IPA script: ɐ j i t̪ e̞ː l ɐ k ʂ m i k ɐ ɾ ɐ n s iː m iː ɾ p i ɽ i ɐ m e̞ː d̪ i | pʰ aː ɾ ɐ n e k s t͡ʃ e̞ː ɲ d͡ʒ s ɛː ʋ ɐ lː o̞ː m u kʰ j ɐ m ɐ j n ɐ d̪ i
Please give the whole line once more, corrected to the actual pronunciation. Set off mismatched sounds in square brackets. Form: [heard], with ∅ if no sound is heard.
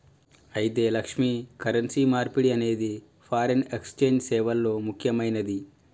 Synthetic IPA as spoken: ɐ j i t̪ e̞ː l ɐ k ʂ m i k ɐ ɾ ɐ n s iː m [aː] ɾ p i ɽ i ɐ [n] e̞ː d̪ i | pʰ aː ɾ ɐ n e k s t͡ʃ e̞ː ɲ d͡ʒ s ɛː ʋ ɐ lː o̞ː m u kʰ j ɐ m ɐ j n ɐ d̪ i